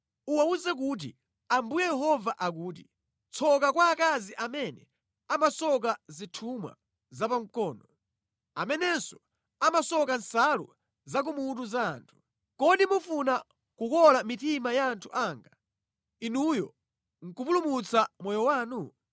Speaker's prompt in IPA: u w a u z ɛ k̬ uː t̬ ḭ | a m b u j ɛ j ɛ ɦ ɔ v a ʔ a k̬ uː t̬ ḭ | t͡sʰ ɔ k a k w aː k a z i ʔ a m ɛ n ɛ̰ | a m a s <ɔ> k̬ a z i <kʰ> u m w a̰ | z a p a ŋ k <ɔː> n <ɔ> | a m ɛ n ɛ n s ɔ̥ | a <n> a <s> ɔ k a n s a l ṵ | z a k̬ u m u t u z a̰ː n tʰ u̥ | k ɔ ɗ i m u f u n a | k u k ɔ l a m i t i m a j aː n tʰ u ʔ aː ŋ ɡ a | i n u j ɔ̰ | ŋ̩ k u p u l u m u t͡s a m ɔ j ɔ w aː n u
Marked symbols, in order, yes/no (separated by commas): yes, no, yes, yes, no, yes